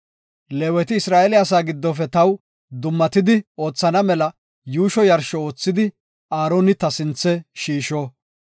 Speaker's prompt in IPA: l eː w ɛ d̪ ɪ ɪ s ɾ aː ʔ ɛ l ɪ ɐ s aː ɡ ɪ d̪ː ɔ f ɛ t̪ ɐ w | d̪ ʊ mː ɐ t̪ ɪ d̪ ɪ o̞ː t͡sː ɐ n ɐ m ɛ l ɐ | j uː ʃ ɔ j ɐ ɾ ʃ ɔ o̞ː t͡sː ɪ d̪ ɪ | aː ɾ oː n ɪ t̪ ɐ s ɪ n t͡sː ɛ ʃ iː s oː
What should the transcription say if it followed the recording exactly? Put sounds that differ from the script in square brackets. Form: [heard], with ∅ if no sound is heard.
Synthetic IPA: l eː w ɛ [t̪] ɪ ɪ s ɾ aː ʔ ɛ l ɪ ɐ s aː ɡ ɪ d̪ː ɔ f ɛ t̪ ɐ w | d̪ ʊ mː ɐ t̪ ɪ d̪ ɪ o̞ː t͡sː ɐ n ɐ m ɛ l ɐ | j uː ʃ ɔ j ɐ ɾ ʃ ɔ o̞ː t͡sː ɪ d̪ ɪ | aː ɾ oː n ɪ t̪ ɐ s ɪ n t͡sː ɛ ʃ iː [ʃ] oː

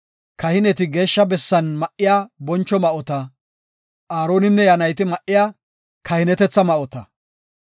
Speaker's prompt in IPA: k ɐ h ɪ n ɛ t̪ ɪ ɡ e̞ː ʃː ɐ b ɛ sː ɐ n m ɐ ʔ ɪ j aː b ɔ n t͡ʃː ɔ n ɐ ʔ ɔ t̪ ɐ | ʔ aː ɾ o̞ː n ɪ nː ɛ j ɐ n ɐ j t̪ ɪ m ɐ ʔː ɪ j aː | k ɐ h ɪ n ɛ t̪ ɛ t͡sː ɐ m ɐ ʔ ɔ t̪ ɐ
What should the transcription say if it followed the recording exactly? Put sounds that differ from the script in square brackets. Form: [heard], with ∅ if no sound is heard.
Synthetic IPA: k ɐ h ɪ n ɛ t̪ ɪ ɡ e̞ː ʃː ɐ b ɛ sː ɐ n m ɐ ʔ ɪ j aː b ɔ n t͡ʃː ɔ [m] ɐ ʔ ɔ t̪ ɐ | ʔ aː ɾ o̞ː n ɪ nː ɛ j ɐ n ɐ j t̪ ɪ m ɐ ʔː ɪ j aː | k ɐ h ɪ n ɛ t̪ ɛ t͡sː ɐ m ɐ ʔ ɔ t̪ ɐ

